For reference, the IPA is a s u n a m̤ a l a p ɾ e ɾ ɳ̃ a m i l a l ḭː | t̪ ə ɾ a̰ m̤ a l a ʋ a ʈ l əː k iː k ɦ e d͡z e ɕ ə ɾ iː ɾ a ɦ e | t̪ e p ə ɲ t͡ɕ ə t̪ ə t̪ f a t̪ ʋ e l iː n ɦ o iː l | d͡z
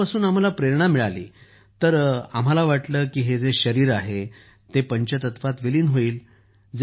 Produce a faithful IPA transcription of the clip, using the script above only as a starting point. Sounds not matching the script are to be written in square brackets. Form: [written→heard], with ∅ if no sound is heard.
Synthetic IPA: a s [u→uː] n a m̤ a l a p ɾ e ɾ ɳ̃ a m i [l→ɭ] a l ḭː | t̪ ə ɾ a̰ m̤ a l a ʋ a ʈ l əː k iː [k→∅] ɦ e d͡z e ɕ ə ɾ iː ɾ a ɦ e | t̪ e p ə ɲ t͡ɕ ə t̪ ə t̪ f a t̪ ʋ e l iː n ɦ o iː l | d͡z

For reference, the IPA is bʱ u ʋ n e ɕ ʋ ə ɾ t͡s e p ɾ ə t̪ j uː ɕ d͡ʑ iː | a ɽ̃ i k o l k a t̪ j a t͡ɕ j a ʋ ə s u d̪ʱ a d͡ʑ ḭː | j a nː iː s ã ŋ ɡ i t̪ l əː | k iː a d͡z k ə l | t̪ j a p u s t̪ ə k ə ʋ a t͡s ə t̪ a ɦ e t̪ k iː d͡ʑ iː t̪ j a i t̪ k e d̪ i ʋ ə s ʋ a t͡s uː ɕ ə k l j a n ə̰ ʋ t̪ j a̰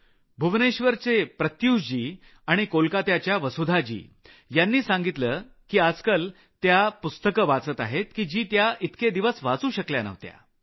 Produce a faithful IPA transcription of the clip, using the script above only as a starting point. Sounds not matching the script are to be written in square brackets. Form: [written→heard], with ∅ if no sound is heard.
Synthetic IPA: bʱ u ʋ n e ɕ ʋ ə ɾ t͡s e p ɾ ə t̪ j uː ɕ d͡ʑ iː | a ɽ̃ i k o l k a t̪ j a t͡ɕ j a ʋ ə s u d̪ʱ a d͡ʑ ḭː | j a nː iː s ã ŋ ɡ i t̪ l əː | k iː a d͡z k ə l | t̪ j a p u s t̪ ə k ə ʋ a t͡s ə t̪ a ɦ e t̪ k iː d͡ʑ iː t̪ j a i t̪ k e d̪ i ʋ ə s ʋ a t͡s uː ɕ ə k l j a n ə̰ ʋ t̪ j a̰

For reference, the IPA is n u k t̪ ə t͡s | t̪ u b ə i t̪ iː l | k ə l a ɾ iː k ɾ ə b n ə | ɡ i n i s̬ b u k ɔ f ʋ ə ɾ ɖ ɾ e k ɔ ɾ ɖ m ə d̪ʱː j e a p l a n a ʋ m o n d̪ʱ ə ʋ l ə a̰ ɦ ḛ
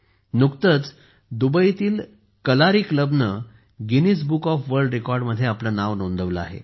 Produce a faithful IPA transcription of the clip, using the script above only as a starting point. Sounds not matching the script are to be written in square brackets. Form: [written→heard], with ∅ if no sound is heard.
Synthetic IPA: n u k t̪ ə t͡s | [t̪→d̪] u b ə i t̪ iː l | k ə l a ɾ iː k [ɾ→l] ə b n ə | ɡ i n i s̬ b u k ɔ f ʋ ə ɾ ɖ ɾ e k ɔ ɾ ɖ m ə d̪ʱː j e a p l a n a ʋ [m→n] o n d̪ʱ ə ʋ l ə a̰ ɦ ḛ

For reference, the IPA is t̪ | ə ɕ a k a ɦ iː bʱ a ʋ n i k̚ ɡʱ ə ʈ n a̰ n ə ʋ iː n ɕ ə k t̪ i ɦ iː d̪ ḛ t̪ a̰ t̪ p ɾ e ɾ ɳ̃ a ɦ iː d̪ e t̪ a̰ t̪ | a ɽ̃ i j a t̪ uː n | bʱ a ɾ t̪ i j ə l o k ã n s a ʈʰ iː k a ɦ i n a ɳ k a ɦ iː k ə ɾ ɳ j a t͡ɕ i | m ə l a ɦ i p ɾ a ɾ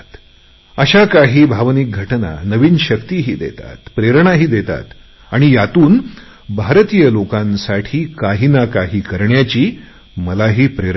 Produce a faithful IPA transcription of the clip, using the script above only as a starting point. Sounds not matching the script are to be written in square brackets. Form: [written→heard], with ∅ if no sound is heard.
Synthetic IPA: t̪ | ə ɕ a k a ɦ iː bʱ a ʋ n i k̚ ɡʱ ə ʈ n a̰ n ə ʋ iː n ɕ ə k t̪ i ɦ iː d̪ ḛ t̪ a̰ t̪ p ɾ e ɾ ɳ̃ a ɦ iː d̪ e t̪ a̰ t̪ | a ɽ̃ i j a t̪ uː n | bʱ a ɾ t̪ i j ə l o k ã n s a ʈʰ iː k a ɦ i n a [ɳ→∅] k a ɦ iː k ə ɾ ɳ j a t͡ɕ [i→iː] | m ə l a ɦ [i→iː] p ɾ [a→e] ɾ

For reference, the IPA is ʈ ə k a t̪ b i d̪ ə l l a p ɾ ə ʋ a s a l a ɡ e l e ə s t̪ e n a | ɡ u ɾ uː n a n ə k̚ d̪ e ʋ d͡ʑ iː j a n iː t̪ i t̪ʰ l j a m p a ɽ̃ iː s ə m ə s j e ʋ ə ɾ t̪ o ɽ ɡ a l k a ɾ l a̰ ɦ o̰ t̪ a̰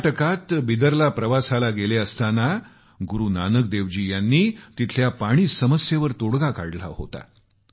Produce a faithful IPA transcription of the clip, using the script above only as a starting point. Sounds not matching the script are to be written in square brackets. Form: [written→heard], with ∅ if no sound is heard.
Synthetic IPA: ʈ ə k a t̪ b i d̪ ə [l→ɾ] l a p ɾ ə ʋ a s a l a ɡ e l e ə s t̪ [e→a] n a | ɡ u ɾ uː n a n ə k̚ d̪ e ʋ d͡ʑ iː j a [n→nː] iː t̪ i t̪ʰ l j a [m→∅] p a ɽ̃ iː s ə m ə s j e ʋ ə ɾ t̪ o ɽ ɡ a [l→∅] k a [ɾ→ɽ] l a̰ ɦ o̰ t̪ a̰

